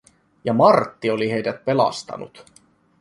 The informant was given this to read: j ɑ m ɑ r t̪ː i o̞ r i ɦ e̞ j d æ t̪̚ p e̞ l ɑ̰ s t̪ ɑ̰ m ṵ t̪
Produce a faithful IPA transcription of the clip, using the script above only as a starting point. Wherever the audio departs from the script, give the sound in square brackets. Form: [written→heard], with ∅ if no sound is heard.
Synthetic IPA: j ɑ m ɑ r t̪ː i o̞ [r→l] i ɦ e̞ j d æ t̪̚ p e̞ l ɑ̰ s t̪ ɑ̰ [m→n] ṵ t̪